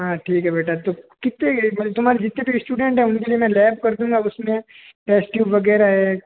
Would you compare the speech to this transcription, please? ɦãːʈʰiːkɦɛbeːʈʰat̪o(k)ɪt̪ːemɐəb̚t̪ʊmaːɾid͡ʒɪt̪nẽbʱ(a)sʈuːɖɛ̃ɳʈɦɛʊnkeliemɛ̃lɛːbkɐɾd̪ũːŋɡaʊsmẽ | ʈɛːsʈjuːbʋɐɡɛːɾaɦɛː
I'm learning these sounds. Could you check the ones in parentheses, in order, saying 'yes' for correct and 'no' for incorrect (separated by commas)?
yes, no